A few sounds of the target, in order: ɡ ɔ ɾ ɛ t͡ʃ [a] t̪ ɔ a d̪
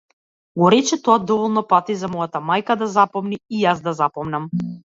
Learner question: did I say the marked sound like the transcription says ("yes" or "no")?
no